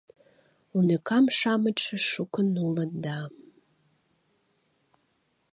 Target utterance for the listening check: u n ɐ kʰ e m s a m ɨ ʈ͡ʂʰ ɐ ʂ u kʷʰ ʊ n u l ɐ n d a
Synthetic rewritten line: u n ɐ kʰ a m ʂ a m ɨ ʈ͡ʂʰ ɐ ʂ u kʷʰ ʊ n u l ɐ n d a